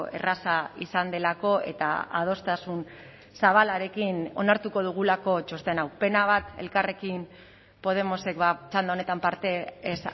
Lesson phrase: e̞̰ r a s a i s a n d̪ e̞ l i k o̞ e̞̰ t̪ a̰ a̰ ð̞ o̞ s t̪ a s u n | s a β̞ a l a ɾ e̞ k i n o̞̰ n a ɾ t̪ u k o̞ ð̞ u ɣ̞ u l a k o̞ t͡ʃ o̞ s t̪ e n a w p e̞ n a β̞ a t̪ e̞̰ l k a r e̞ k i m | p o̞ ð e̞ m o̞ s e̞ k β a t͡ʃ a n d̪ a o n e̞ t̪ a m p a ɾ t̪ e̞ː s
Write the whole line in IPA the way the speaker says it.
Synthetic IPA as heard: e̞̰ r a s a i s a n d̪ e̞ l a k o̞ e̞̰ t̪ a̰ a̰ ð̞ o̞ s t̪ a s u n | s a β̞ a l a ɾ e̞ k i n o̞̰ n a ɾ t̪ u k o̞ ð̞ u ɣ̞ u l a k o̞ t͡ʃ o̞ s t̪ e n a w p e̞ n a β̞ a t̪ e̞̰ l k a r e̞ k i m | p o̞ ð e̞ m o̞ s e̞ k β a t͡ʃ a n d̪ a o n e̞ t̪ a m p a ɾ t̪ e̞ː s